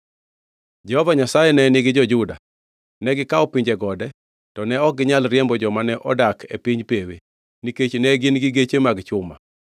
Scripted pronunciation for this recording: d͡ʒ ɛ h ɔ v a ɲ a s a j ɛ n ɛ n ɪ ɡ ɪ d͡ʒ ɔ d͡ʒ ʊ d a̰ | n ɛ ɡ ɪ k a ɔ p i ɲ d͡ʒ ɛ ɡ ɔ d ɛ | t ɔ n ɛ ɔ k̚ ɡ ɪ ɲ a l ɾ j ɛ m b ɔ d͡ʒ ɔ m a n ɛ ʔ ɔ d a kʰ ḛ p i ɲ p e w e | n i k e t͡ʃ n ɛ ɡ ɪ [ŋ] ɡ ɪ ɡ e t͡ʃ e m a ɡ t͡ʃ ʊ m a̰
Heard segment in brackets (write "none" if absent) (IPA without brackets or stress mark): n